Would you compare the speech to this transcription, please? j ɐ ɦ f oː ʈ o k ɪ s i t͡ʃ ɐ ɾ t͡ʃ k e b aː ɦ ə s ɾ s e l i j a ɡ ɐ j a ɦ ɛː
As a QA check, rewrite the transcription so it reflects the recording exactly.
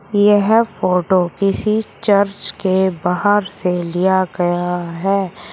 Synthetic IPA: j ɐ ɦ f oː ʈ o k ɪ s i t͡ʃ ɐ ɾ t͡ʃ k e b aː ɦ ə ɾ s e l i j a ɡ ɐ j a ɦ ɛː